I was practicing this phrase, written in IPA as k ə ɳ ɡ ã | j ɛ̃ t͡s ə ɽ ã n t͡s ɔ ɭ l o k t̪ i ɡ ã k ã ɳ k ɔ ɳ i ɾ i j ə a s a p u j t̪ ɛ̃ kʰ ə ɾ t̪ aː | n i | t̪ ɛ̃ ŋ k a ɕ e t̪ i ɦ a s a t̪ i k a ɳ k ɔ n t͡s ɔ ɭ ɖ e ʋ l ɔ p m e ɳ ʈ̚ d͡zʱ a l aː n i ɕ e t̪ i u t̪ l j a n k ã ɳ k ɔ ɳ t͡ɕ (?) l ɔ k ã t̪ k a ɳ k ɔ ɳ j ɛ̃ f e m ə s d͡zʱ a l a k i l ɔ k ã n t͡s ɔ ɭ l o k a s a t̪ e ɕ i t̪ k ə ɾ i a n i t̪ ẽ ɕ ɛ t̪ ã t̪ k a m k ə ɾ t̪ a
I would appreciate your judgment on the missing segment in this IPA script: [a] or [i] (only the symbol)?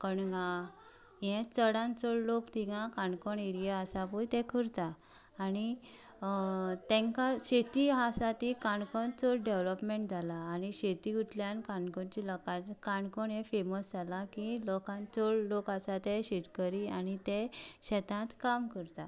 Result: i